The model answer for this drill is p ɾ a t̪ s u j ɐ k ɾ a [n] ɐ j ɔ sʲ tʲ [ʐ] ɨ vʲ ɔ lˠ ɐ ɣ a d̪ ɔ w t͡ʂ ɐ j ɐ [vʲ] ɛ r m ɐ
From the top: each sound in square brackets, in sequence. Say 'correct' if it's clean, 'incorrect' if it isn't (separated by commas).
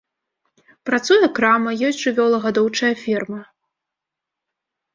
incorrect, correct, incorrect